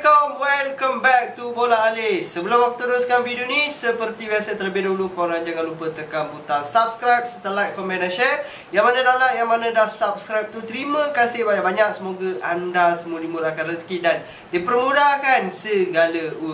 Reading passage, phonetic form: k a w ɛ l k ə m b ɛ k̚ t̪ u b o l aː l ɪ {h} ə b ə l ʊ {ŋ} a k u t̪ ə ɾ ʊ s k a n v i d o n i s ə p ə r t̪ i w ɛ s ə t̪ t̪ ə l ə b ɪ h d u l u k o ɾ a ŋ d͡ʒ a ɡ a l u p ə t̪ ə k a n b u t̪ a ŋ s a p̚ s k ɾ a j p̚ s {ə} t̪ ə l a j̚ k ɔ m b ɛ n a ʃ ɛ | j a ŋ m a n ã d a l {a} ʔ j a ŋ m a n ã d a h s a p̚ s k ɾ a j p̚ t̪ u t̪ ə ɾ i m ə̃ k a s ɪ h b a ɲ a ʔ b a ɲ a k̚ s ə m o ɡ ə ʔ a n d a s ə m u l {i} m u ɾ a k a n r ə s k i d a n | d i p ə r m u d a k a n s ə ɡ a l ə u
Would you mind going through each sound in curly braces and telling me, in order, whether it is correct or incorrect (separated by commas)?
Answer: incorrect, incorrect, correct, correct, correct